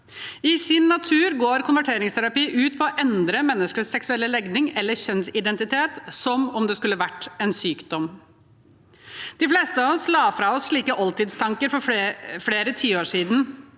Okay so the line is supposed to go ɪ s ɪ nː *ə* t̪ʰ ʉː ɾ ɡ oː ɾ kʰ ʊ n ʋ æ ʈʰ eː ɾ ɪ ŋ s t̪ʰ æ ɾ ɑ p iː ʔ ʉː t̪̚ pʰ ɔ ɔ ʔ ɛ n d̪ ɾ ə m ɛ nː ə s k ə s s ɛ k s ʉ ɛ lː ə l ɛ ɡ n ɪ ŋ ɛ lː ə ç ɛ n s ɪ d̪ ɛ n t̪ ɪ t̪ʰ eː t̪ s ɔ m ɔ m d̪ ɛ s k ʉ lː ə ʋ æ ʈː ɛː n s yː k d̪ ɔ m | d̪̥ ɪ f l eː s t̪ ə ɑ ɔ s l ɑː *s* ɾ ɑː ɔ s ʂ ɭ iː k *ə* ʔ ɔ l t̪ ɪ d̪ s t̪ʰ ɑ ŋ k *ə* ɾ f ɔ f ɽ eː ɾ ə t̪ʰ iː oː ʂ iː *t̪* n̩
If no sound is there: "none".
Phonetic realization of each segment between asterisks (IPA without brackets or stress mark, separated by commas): ɑ, f, ə, ə, d̪